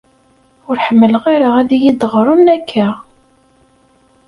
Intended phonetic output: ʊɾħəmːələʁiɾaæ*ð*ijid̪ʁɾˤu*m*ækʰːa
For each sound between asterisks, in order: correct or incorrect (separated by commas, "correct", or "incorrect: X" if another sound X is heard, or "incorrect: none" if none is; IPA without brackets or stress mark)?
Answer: correct, incorrect: n